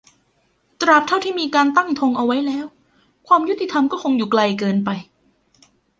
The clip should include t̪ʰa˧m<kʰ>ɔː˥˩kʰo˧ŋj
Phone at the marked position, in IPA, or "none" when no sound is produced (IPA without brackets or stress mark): k